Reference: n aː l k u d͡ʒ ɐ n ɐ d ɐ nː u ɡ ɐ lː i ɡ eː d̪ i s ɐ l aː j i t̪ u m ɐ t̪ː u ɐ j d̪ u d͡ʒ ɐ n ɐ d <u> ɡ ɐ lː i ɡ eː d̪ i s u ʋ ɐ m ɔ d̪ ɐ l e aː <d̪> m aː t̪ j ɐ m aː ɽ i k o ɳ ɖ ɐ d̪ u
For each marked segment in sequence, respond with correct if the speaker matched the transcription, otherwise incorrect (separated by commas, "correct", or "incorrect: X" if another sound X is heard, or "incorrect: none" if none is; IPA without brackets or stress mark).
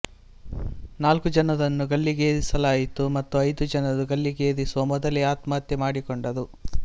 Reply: correct, incorrect: t̪